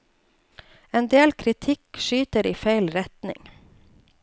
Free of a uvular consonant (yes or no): yes